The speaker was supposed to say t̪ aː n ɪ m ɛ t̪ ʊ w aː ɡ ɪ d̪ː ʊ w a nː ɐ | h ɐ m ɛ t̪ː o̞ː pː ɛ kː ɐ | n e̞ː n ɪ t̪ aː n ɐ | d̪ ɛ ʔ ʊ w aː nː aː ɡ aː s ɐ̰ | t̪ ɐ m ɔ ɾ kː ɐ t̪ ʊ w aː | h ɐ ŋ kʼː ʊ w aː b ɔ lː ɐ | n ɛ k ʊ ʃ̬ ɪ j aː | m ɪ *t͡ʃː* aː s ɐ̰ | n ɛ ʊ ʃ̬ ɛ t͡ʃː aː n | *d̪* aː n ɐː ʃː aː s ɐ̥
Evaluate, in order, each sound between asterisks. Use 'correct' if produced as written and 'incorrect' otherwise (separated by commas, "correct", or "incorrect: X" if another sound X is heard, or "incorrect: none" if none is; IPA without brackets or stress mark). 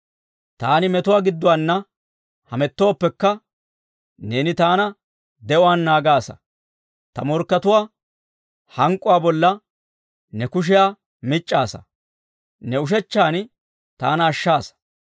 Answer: incorrect: t͡ʃʼː, incorrect: t̪